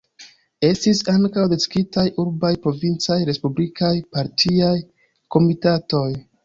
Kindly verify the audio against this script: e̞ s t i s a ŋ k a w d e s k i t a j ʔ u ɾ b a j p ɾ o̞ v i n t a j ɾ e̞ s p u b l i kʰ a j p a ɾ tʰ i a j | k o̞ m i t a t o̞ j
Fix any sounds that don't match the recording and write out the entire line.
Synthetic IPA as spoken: e̞ s t i s a ŋ k a w d e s k i t a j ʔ u ɾ b a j p ɾ o̞ v i n t͡s a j ɾ e̞ s p u b l i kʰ a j p a ɾ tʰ i a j | k o̞ m i t a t o̞ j